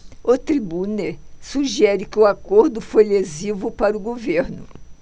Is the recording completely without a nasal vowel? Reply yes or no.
yes